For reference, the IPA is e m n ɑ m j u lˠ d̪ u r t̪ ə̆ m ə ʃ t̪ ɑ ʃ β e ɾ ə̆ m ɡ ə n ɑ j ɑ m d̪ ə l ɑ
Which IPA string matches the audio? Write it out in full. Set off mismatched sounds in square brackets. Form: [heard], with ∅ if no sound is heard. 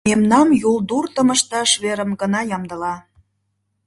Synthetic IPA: e m n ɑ m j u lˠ d̪ u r t̪ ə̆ m ə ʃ t̪ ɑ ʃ β e ɾ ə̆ m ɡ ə n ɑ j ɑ m d̪ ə l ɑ